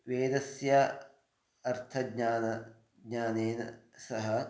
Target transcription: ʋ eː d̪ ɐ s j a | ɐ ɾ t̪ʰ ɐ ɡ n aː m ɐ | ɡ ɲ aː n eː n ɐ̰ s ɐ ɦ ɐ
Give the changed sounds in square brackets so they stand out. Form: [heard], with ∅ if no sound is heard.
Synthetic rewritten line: ʋ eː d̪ ɐ s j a | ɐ ɾ t̪ʰ ɐ ɡ [ɲ] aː [n] ɐ | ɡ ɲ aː n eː n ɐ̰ s ɐ ɦ ɐ